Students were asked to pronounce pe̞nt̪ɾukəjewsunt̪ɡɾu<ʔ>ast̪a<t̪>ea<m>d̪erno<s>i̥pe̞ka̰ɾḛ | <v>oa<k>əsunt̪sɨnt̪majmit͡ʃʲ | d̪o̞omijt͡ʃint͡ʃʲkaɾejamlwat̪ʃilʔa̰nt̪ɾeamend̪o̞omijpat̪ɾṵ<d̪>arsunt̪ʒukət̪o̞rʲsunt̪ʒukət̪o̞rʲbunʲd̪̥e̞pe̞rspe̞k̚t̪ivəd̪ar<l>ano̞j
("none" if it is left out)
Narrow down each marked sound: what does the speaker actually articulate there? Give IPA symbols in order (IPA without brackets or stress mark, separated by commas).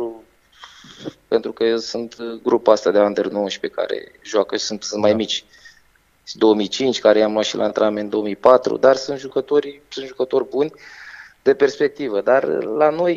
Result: p, d̪, n, ʃ, ʒ, k, d̪, l